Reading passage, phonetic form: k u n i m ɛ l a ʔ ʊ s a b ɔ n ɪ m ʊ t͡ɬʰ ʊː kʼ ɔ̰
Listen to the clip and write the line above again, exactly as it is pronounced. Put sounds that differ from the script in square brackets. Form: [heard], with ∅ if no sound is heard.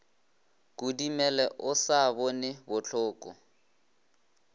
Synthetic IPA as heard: k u [d] i m ɛ l [ɛ] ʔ ʊ s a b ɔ n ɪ [b] ʊ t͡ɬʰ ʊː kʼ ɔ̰